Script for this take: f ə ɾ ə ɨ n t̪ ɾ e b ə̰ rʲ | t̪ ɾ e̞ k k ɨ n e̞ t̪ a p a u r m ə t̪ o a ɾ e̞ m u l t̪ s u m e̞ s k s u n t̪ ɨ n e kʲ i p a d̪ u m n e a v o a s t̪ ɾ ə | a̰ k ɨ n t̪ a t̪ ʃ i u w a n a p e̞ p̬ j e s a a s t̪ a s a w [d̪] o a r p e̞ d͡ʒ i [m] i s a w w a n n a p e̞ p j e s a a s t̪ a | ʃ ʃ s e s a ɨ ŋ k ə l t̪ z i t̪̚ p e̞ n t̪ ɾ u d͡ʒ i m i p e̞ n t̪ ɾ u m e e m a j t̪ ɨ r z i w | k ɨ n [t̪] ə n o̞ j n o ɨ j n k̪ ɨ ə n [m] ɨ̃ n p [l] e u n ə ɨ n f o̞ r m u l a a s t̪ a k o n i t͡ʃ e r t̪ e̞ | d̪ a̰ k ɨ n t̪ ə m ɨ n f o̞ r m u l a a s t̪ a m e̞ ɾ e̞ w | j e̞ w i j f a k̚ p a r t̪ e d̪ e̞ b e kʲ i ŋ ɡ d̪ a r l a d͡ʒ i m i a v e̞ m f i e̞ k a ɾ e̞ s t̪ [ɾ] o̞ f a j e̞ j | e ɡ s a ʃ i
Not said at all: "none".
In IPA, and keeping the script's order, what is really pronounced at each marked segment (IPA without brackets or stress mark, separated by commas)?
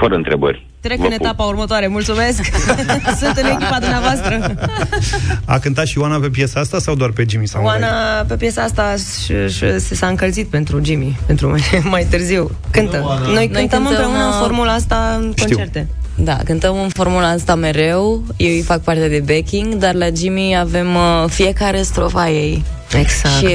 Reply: d̪, m, t̪, m, ɾ, ɾ